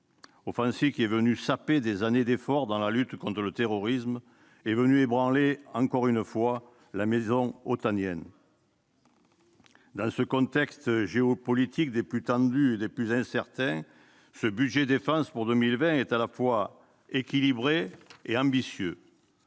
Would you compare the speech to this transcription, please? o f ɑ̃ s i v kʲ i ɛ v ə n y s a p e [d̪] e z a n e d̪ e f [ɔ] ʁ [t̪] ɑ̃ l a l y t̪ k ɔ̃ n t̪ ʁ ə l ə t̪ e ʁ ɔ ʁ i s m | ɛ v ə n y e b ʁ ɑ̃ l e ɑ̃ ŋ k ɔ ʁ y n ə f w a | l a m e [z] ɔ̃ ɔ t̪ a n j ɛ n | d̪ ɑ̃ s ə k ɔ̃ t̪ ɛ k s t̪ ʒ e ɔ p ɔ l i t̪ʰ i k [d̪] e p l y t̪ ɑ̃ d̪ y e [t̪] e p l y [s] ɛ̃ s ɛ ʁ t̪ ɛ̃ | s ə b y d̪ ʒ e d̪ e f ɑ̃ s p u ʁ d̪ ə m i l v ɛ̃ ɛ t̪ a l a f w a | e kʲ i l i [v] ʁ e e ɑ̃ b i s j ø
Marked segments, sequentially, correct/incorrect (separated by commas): correct, correct, incorrect, correct, correct, incorrect, incorrect, incorrect